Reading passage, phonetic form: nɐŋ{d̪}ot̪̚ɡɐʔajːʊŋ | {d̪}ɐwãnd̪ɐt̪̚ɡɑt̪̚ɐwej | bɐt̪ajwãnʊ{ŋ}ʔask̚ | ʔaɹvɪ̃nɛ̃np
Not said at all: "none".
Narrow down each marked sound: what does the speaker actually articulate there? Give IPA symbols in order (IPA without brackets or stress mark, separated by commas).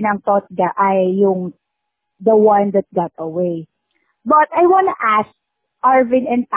t̪, d̪, none